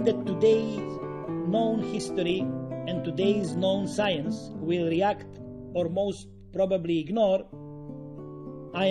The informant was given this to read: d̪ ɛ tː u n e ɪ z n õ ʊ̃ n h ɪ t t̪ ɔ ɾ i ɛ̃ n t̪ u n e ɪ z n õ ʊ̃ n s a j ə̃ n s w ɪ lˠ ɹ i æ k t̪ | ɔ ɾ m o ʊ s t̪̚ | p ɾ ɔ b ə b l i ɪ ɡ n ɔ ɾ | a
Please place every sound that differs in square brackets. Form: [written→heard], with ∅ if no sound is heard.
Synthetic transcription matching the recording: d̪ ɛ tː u [n→d] e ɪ z n õ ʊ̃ n h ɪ [t→s] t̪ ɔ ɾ i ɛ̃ n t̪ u [n→d] e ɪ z n õ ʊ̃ n s a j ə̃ n s w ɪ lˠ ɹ i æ k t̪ | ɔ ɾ m o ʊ s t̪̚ | p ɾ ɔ b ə b l i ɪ ɡ n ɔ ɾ | a

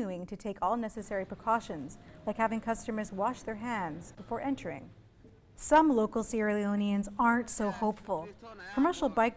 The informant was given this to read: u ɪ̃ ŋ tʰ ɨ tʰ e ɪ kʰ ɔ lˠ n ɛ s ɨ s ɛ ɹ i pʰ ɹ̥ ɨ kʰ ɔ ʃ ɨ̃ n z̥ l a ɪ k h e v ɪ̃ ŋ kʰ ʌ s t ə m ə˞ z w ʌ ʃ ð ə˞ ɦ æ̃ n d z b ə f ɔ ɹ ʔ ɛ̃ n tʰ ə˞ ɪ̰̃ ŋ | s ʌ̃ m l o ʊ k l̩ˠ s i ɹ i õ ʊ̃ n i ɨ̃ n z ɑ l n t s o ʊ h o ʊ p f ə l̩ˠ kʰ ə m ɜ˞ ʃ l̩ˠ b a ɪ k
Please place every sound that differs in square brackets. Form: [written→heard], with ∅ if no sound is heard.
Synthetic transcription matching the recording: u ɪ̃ ŋ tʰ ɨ tʰ e ɪ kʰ ɔ lˠ n ɛ s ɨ s ɛ ɹ i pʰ ɹ̥ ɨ kʰ ɔ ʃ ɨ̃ n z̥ l a ɪ k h [e→æ] v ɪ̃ ŋ kʰ ʌ s t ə m ə˞ z w [ʌ→ɑ] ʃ ð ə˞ ɦ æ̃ n d z b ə f ɔ ɹ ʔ ɛ̃ n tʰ ə˞ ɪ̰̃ ŋ | s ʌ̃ m l o ʊ k l̩ˠ s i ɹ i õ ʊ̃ n i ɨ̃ n z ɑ [l→ɹ] n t s o ʊ h o ʊ p f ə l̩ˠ kʰ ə m ɜ˞ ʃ l̩ˠ b a ɪ k

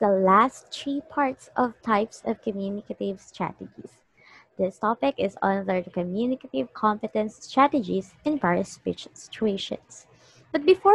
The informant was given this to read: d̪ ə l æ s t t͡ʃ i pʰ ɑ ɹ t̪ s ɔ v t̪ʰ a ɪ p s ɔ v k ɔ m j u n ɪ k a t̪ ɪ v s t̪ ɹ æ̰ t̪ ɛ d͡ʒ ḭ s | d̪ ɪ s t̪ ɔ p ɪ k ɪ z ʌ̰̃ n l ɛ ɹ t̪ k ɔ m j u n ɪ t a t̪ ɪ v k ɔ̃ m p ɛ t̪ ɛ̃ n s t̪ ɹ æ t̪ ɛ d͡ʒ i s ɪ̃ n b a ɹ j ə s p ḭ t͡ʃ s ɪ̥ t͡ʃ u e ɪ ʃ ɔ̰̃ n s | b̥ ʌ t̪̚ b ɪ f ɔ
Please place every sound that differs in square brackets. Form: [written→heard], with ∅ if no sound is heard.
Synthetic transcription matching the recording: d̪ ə l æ s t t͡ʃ i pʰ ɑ ɹ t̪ s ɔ v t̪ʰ a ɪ p s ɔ v k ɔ m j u n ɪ k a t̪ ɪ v s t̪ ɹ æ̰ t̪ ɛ d͡ʒ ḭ s | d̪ ɪ s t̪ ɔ p ɪ k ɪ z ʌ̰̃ n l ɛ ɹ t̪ k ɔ m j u n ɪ [t→k] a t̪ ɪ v [k→kʰ] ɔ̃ m p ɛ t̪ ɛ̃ n s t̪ ɹ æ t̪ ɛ d͡ʒ i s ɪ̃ n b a ɹ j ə s p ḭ t͡ʃ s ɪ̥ t͡ʃ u e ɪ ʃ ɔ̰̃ n s | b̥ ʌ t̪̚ b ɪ f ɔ

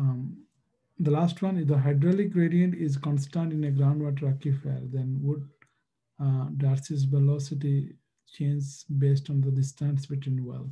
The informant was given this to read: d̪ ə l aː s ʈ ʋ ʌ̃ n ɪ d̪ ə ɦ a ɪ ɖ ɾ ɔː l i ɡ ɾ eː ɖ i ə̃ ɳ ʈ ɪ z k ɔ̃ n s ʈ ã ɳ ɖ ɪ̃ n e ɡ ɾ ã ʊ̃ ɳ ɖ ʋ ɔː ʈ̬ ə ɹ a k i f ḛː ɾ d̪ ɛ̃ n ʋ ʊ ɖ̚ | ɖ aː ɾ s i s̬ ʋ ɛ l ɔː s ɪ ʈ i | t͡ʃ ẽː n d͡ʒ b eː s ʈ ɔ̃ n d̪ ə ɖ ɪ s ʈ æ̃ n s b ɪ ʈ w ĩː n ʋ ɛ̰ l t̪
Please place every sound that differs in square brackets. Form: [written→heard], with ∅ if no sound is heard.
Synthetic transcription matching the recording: d̪ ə l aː s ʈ ʋ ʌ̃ n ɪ d̪ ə ɦ a ɪ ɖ ɾ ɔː l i ɡ ɾ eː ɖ i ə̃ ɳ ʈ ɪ z k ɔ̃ n s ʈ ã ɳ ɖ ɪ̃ n e ɡ ɾ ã ʊ̃ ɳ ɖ ʋ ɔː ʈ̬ ə [ɹ→ɾ] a k i f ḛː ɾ d̪ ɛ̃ n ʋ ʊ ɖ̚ | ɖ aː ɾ s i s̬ ʋ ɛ l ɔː s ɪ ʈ i | t͡ʃ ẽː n d͡ʒ b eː s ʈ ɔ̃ n d̪ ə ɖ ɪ s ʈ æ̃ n s b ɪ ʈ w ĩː n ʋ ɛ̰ l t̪

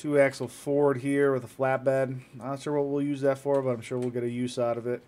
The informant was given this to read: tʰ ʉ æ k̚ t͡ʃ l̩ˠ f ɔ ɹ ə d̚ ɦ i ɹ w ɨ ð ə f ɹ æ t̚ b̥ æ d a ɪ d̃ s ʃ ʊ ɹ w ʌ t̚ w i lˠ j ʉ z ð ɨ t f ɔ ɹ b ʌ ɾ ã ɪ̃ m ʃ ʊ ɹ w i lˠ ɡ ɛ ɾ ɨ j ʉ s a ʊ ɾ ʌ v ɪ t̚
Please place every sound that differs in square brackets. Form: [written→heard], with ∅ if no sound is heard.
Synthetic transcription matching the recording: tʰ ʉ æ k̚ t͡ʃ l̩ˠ f ɔ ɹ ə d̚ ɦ i ɹ w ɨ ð ə f [ɹ→l] æ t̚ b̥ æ d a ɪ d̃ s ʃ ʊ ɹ w ʌ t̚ w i lˠ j ʉ z ð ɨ t f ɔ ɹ b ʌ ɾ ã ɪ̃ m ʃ ʊ ɹ w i lˠ ɡ ɛ ɾ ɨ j ʉ s a ʊ ɾ ʌ v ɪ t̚

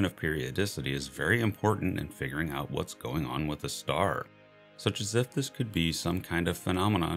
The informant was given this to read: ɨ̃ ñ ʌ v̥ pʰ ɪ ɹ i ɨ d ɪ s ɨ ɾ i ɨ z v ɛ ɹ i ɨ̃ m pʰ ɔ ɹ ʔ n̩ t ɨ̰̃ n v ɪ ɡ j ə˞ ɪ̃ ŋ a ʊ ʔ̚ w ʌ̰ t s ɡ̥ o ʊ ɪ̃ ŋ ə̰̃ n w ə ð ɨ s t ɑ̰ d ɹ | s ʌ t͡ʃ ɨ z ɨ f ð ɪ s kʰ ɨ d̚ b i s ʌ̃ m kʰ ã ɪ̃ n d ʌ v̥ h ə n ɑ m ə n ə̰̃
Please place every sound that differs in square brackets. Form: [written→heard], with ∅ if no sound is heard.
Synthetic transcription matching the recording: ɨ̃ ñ ʌ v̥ pʰ ɪ ɹ i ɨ d ɪ s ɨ ɾ i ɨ z v ɛ ɹ i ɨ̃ m pʰ ɔ ɹ ʔ n̩ t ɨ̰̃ n [v→f] ɪ ɡ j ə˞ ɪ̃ ŋ a ʊ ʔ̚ w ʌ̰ t s ɡ̥ o ʊ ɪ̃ ŋ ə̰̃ n w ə ð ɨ s t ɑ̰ [d→∅] ɹ | s ʌ t͡ʃ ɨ z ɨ f ð ɪ s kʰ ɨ d̚ b i s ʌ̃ m kʰ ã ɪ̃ n d ʌ v̥ [h→f] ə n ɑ m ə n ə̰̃

